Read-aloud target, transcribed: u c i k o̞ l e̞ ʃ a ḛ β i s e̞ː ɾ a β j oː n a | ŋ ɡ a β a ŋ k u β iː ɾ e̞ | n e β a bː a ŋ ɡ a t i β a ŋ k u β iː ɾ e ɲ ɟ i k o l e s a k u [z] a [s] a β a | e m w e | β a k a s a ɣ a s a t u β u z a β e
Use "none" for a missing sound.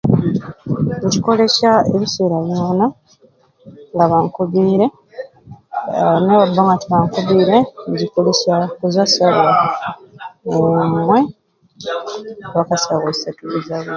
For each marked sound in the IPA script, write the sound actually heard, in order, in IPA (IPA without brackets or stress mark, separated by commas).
z, s